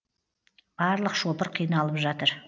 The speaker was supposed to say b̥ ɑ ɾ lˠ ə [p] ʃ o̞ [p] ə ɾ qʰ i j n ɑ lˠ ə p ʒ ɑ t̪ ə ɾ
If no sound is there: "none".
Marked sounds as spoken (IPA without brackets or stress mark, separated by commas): q, p